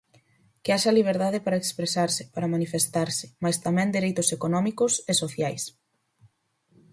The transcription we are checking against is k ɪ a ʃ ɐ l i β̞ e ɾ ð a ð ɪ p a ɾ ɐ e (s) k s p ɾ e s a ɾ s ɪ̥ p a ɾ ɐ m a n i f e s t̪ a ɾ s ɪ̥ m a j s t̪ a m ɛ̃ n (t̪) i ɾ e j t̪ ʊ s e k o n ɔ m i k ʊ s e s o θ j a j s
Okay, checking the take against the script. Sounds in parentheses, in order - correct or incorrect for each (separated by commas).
incorrect, incorrect